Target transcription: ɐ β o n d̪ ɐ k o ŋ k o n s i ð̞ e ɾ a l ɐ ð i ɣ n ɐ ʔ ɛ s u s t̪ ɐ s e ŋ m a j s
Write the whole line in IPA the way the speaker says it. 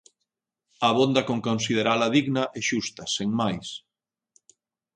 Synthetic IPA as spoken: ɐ β o n d̪ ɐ k o ŋ k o n s i ð̞ e ɾ a l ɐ ð i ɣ n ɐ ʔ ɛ ʃ u s t̪ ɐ s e ŋ m a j s